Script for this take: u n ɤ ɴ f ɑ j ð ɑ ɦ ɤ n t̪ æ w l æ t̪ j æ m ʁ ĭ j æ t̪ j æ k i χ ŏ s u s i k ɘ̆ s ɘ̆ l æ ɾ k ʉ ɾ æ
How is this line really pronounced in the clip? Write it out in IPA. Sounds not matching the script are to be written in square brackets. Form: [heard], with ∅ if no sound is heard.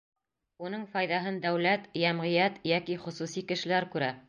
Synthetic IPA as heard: u n ɤ ɴ f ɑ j ð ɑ ɦ ɤ n [d̪] æ w l æ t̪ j æ m ʁ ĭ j æ t̪ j æ k i χ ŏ s u s i k ɘ̆ [ʃ] ɘ̆ l æ ɾ k ʉ ɾ æ